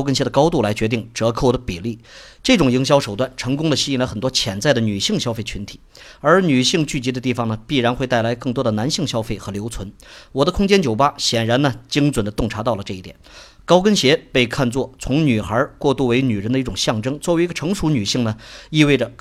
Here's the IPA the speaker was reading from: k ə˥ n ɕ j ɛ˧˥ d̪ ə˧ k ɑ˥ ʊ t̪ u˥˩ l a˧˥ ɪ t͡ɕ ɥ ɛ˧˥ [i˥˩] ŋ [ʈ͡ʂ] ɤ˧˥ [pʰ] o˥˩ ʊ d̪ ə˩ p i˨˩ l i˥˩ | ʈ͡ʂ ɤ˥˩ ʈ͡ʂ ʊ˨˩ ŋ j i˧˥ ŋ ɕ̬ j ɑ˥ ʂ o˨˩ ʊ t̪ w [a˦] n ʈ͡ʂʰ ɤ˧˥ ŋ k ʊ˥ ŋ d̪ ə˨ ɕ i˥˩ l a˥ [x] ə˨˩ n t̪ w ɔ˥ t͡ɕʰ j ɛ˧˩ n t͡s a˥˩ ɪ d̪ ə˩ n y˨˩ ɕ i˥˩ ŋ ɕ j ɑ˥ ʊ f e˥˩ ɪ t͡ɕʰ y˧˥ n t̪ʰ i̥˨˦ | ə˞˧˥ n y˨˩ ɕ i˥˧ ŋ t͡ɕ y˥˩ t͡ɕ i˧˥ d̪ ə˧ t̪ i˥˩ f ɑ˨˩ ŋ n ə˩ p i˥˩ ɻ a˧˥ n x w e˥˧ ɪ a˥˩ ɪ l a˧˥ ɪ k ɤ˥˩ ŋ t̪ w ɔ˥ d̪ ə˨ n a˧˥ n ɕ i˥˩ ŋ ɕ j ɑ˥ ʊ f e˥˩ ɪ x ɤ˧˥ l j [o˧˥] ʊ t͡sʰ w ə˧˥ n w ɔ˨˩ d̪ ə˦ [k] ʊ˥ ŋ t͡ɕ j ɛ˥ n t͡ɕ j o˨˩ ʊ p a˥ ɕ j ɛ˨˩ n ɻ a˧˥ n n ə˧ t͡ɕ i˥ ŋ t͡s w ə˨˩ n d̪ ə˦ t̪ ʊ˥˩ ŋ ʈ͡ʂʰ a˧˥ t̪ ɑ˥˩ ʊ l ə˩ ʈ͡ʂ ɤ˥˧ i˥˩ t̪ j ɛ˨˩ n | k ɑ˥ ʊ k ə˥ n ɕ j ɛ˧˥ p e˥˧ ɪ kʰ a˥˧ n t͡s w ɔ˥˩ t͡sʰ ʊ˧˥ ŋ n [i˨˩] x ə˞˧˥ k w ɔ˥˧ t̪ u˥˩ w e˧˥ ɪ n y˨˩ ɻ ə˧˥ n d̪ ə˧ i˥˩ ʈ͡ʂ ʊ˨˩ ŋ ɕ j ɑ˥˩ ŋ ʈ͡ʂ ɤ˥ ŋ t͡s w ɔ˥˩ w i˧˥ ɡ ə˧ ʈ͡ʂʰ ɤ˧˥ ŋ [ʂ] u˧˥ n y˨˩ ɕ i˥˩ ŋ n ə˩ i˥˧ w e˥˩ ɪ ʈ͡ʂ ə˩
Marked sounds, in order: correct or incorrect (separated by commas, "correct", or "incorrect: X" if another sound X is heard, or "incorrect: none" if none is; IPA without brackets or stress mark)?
correct, correct, incorrect: kʰ, incorrect: a˥˩, correct, correct, incorrect: kʰ, incorrect: y˨˩, correct